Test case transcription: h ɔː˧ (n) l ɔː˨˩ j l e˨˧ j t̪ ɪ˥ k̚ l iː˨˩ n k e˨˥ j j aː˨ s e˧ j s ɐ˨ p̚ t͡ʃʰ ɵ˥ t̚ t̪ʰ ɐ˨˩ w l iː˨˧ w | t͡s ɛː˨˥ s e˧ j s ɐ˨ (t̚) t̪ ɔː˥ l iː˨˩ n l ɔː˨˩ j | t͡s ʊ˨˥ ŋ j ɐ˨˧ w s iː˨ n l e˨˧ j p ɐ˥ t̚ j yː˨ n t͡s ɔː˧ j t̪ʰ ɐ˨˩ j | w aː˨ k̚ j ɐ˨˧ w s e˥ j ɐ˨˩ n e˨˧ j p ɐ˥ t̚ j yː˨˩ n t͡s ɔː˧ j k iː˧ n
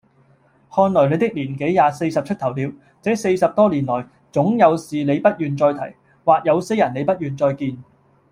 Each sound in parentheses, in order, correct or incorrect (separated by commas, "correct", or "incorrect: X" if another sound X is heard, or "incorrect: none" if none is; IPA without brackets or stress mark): correct, incorrect: p̚